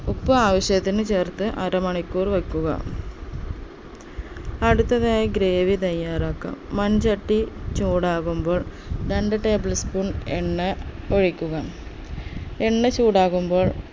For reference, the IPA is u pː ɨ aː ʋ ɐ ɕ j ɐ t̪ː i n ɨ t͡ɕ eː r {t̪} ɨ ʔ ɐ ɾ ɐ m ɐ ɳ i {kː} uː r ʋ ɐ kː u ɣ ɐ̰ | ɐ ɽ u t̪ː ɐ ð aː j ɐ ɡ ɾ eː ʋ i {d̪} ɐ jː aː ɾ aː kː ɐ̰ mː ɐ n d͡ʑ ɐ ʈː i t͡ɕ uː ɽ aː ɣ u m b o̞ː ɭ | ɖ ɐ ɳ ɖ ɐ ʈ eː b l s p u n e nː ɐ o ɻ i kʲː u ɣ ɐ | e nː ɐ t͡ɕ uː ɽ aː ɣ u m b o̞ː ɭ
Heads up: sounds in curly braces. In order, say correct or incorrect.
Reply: correct, correct, incorrect

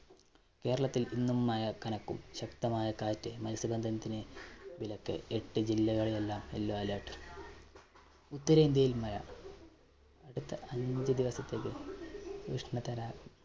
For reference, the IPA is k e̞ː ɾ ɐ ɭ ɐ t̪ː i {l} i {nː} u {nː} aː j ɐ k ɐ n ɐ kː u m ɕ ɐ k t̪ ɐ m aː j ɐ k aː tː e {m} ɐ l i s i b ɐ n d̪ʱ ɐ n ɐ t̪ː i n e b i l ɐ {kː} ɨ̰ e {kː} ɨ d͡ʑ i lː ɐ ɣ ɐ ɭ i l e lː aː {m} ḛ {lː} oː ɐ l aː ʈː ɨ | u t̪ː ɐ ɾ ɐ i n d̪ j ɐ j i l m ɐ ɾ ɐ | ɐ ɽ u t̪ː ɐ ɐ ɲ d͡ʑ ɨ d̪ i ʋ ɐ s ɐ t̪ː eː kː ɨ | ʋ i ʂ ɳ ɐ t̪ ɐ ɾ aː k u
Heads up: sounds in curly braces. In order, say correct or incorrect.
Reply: correct, correct, incorrect, correct, correct, incorrect, correct, correct

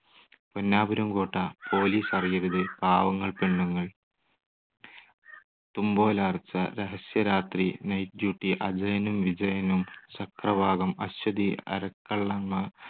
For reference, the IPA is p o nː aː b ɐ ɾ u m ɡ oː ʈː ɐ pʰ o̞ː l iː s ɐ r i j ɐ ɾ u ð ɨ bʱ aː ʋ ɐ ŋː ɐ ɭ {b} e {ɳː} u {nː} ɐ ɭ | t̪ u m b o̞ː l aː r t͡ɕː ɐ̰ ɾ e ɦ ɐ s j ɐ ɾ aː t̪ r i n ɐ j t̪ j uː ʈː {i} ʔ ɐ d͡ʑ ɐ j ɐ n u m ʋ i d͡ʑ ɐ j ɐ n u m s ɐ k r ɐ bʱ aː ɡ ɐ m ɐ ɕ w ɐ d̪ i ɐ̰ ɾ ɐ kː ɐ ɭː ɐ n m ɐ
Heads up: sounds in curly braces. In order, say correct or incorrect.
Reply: incorrect, correct, incorrect, correct

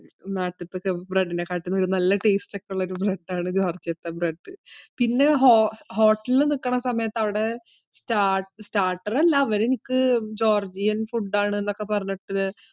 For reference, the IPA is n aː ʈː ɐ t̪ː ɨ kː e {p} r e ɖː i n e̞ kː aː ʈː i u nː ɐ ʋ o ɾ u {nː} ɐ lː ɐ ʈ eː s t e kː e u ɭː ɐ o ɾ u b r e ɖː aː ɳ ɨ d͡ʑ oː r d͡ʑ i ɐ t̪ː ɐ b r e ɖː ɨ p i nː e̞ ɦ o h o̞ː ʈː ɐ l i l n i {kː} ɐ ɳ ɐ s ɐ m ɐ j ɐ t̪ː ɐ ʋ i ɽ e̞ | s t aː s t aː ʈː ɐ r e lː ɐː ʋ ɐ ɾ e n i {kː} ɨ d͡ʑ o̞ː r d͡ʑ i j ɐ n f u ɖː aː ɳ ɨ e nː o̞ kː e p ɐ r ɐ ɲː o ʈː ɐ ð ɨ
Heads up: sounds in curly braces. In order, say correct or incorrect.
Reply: incorrect, incorrect, correct, correct

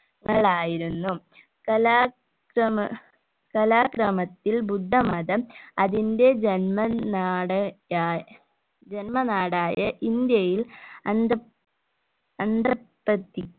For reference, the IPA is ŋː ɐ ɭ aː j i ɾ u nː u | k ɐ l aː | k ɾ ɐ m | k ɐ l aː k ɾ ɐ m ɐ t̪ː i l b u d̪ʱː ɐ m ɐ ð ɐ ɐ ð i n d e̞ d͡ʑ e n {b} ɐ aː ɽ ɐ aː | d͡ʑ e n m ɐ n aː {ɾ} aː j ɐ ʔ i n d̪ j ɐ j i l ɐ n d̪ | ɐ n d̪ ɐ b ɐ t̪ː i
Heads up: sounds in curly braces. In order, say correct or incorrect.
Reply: incorrect, incorrect

